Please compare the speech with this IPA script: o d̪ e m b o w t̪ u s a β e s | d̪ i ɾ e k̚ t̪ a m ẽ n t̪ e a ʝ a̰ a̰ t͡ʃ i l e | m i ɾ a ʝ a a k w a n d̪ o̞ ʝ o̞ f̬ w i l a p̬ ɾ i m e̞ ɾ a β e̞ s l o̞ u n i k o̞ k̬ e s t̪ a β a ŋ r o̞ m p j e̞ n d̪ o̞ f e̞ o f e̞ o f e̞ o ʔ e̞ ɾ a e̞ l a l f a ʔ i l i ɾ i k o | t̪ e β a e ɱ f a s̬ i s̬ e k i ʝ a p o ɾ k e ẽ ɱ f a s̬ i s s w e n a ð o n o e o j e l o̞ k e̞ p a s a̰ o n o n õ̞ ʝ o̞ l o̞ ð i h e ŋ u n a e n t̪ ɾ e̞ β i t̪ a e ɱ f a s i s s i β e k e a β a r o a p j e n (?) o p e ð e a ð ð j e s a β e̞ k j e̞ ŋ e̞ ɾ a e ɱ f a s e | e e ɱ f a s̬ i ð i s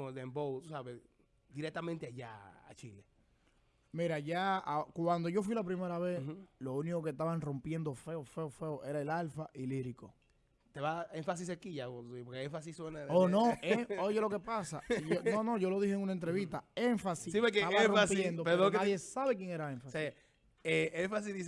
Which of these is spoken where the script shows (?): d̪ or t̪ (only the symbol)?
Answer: d̪